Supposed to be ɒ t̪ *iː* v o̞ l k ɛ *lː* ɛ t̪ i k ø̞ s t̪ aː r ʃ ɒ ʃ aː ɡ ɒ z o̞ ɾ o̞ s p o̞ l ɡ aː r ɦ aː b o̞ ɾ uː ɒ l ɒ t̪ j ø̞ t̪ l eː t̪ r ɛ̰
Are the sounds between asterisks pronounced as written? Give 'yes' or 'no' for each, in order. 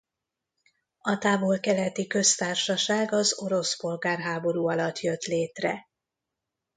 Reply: no, no

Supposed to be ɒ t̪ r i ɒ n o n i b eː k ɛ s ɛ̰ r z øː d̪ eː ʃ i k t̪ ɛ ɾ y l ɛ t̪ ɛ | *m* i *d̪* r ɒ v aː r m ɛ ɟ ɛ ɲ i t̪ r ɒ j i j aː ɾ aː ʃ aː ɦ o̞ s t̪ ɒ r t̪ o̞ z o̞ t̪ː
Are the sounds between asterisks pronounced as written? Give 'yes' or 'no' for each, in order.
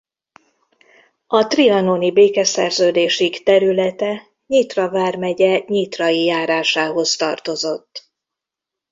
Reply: no, no

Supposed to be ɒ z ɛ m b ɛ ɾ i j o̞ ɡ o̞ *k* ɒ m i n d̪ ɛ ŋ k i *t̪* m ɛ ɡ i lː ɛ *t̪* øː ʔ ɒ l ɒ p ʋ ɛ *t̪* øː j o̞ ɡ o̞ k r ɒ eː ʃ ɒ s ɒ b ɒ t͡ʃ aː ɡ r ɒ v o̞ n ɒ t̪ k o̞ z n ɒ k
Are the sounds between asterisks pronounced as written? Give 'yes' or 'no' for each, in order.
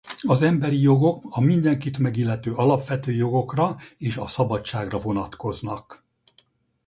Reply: yes, yes, yes, yes

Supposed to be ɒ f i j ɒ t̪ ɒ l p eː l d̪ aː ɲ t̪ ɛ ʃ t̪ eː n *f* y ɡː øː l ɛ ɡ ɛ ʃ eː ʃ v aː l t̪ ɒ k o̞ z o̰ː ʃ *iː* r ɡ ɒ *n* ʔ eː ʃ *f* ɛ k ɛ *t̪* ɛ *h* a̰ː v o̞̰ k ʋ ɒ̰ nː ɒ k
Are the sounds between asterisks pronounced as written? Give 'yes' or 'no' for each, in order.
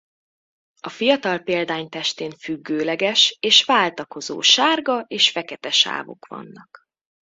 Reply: yes, no, no, yes, yes, no

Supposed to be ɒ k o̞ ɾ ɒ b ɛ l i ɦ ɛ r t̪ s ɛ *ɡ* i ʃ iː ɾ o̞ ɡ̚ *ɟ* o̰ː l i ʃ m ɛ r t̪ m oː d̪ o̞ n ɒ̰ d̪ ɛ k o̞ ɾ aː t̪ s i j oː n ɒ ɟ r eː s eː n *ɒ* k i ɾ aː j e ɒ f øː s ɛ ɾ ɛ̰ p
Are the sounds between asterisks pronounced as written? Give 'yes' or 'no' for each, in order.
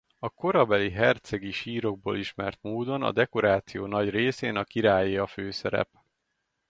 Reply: yes, no, yes

